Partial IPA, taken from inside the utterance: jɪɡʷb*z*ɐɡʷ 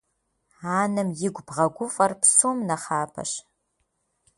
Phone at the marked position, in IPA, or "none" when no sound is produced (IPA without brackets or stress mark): ʁ